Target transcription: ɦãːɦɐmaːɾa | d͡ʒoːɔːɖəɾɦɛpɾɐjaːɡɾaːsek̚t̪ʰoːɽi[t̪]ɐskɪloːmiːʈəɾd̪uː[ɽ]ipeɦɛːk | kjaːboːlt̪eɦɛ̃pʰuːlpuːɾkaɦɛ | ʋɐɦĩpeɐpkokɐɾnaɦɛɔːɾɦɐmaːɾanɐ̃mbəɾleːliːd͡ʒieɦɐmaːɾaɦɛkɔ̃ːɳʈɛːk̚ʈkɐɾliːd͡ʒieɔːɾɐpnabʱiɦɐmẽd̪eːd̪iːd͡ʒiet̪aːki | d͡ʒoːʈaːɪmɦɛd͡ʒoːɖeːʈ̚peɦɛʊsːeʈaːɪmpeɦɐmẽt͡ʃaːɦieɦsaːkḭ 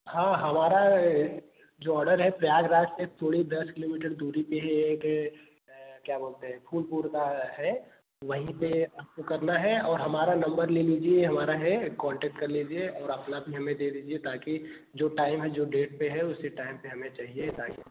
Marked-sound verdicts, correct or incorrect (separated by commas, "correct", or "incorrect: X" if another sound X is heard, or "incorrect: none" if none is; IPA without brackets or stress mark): incorrect: d̪, incorrect: ɾ